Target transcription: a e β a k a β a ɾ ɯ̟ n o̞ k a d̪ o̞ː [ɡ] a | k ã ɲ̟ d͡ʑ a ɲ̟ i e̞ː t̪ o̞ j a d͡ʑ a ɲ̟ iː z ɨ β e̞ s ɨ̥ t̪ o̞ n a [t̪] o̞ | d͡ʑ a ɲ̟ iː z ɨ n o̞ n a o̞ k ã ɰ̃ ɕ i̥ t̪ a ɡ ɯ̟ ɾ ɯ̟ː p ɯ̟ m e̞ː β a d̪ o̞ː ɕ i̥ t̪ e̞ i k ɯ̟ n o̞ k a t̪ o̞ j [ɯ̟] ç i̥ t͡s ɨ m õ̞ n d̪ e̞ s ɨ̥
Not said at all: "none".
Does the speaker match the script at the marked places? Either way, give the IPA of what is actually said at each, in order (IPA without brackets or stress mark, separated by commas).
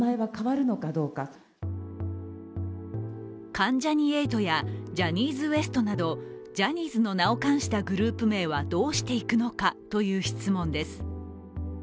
k, d̪, ɯ̟ː